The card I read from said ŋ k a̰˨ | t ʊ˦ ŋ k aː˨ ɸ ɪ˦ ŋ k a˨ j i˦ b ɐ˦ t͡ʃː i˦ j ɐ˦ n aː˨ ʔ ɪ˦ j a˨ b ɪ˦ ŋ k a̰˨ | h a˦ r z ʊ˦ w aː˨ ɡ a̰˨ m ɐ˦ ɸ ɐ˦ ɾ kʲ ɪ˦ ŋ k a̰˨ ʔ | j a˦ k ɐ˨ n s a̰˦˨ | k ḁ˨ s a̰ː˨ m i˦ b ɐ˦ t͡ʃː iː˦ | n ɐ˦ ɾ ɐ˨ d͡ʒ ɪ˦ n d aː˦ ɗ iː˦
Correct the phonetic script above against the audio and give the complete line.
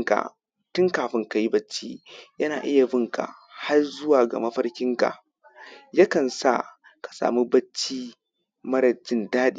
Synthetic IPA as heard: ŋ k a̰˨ | t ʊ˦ ŋ k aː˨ ɸ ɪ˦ ŋ k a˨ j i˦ b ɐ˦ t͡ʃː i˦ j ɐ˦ n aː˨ ʔ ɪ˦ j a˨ b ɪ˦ ŋ k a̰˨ | h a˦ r z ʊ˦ w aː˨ ɡ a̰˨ m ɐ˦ ɸ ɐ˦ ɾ kʲ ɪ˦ ŋ k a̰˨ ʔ | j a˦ k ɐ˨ n s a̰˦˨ | k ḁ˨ s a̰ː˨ m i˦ b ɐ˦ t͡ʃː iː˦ | m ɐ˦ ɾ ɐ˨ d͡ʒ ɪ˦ n d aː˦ ɗ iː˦